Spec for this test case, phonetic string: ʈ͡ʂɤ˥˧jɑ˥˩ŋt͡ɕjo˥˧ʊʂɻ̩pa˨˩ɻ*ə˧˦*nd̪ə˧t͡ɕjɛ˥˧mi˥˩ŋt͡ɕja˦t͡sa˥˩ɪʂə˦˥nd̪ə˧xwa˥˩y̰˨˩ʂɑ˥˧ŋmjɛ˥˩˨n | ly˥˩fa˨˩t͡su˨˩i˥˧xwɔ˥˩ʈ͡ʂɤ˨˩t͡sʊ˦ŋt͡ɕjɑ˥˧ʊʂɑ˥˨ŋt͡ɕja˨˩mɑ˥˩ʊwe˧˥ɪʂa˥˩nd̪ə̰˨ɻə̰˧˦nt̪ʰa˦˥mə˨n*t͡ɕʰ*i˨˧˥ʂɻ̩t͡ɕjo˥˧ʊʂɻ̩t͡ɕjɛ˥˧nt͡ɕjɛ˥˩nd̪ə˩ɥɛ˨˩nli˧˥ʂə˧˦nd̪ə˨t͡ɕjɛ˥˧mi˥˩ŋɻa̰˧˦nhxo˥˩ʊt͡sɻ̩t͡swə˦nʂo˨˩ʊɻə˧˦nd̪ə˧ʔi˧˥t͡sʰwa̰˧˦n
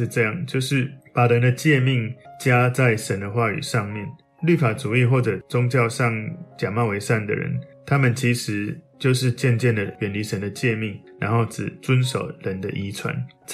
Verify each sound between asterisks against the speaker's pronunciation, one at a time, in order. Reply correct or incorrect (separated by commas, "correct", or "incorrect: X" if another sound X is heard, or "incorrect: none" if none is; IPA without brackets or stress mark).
correct, correct